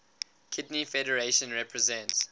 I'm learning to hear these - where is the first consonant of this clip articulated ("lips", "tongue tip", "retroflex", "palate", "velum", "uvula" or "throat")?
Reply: velum